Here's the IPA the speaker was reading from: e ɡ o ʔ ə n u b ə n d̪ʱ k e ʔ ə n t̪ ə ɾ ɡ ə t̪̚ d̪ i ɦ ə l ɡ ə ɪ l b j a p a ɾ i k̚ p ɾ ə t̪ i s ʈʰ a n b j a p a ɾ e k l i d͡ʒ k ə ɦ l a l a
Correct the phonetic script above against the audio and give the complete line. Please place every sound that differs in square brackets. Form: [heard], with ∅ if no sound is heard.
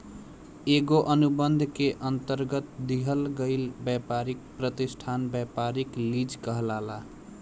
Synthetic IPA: e ɡ o ʔ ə n u b ə n d̪ʱ k e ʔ ə n t̪ ə ɾ ɡ ə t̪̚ d̪ i ɦ ə l ɡ ə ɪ l b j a p a ɾ i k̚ p ɾ ə t̪ i s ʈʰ a n b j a p a ɾ [i] k l i d͡ʒ k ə ɦ l a l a

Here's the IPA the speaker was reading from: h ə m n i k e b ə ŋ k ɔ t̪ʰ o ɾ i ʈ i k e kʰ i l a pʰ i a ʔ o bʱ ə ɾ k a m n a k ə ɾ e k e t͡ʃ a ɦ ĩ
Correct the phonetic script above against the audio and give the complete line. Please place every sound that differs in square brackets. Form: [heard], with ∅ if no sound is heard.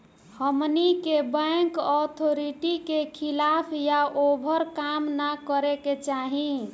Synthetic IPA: h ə m n i k e b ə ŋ k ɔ t̪ʰ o ɾ i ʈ i k e kʰ i l a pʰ [j] a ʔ o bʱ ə ɾ k a m n a k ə ɾ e k e t͡ʃ a ɦ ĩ

